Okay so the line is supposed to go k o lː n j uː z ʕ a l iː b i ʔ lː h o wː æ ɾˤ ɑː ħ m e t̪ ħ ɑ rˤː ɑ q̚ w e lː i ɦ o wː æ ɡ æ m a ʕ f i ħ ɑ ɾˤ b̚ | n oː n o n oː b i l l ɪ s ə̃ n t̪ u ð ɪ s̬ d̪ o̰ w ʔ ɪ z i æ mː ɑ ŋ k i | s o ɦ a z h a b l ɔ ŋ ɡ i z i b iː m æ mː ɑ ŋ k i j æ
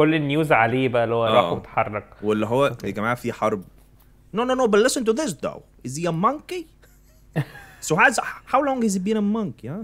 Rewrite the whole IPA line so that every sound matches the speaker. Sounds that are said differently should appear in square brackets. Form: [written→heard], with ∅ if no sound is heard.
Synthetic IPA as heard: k o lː n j uː z ʕ a l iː b [i→æ] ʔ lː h o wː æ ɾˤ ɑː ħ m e t̪ ħ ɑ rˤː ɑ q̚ w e lː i ɦ o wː æ ɡ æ m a ʕ f i ħ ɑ ɾˤ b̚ | n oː n o n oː b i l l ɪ s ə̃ n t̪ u ð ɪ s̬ d̪ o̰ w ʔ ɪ z i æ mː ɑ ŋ k i | s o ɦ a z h a [b→w] l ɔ ŋ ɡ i z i b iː [m→n] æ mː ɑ ŋ k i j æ